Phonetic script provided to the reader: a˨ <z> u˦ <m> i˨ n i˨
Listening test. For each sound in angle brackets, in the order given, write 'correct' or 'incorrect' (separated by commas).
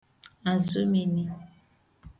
correct, correct